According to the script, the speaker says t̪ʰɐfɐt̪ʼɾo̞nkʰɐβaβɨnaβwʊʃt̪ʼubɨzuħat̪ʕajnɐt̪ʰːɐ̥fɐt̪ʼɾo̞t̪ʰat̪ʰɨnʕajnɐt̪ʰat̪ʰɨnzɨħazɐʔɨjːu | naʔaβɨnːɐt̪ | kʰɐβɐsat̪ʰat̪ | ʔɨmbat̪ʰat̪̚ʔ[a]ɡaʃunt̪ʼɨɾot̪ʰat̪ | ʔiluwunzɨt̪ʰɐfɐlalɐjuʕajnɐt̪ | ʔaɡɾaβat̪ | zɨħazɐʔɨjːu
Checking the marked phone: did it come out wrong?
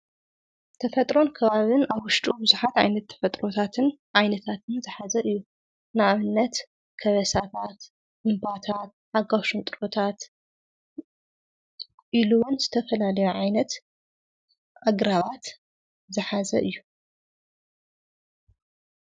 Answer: no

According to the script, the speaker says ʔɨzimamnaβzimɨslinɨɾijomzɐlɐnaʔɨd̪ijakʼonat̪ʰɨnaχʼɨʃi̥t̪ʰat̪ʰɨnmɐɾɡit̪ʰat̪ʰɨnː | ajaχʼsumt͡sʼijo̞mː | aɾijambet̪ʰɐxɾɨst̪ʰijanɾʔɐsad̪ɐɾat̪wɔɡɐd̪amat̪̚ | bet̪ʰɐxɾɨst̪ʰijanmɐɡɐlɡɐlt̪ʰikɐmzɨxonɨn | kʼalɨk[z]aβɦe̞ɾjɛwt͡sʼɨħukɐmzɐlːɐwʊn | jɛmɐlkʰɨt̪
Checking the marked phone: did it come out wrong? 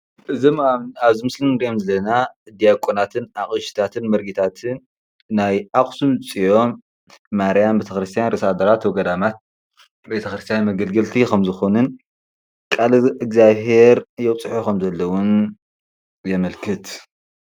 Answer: no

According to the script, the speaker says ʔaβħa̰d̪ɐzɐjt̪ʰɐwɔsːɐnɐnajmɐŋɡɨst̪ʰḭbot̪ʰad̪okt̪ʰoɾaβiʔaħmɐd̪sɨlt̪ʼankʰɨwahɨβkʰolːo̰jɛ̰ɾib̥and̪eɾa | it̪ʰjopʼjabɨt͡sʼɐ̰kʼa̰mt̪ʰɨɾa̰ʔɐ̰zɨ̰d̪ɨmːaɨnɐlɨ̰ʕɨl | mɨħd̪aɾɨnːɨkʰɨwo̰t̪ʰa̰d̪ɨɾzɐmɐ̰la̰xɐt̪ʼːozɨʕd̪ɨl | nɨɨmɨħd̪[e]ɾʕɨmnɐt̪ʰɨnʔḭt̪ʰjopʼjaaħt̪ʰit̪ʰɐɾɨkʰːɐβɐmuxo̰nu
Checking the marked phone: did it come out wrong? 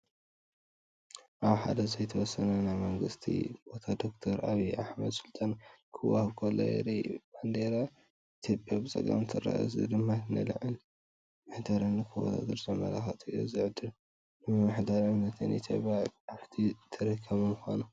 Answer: yes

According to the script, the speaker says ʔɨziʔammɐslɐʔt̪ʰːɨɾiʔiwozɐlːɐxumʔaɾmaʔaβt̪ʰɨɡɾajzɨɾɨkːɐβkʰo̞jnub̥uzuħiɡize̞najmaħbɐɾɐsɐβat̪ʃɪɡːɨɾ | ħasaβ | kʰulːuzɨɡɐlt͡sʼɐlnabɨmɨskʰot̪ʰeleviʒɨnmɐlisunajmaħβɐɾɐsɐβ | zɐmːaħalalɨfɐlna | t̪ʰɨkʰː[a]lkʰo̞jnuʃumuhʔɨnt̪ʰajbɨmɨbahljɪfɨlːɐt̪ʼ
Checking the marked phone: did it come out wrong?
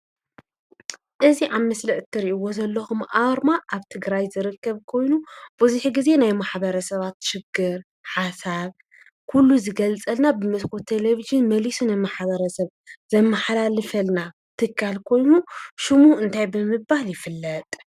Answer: no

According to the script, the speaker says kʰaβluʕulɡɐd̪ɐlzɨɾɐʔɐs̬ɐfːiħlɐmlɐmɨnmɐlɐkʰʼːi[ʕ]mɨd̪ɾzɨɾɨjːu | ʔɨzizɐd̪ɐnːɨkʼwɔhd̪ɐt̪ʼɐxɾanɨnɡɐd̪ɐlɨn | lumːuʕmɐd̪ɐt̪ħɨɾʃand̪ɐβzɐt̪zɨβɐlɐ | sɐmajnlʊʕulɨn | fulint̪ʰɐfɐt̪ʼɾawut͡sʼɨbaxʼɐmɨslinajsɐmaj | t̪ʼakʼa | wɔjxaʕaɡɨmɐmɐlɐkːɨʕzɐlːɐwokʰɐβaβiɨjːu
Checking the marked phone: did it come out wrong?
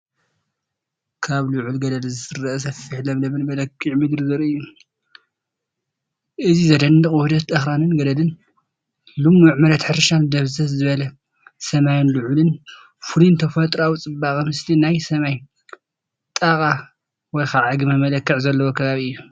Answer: no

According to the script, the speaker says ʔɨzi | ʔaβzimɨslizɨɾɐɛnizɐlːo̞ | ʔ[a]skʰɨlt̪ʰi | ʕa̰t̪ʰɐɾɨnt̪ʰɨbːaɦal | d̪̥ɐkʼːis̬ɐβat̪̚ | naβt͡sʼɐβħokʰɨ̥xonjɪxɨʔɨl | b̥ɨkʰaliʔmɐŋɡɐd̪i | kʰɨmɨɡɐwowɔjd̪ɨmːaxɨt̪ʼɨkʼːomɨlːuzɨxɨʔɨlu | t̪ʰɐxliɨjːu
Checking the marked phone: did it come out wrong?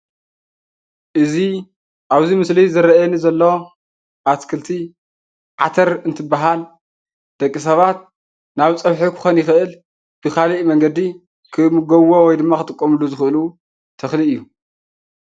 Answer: no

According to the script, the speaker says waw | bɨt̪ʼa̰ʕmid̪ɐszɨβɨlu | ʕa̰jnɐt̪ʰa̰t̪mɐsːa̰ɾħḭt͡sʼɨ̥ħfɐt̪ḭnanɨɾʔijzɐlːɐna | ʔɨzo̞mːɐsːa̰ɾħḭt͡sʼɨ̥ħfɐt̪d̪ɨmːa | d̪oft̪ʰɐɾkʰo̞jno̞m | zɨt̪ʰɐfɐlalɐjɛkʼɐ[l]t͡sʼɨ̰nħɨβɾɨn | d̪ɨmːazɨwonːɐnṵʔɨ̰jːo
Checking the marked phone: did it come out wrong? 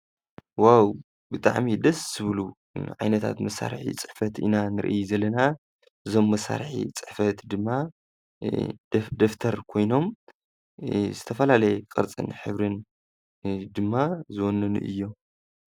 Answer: yes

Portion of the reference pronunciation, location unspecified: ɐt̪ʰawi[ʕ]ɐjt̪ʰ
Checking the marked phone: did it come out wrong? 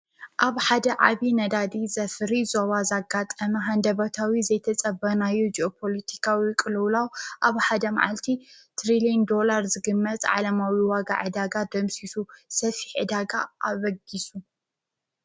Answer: yes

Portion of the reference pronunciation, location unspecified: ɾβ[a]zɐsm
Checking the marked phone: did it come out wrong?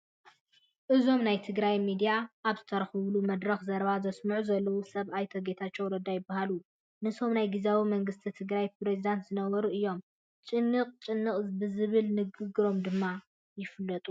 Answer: no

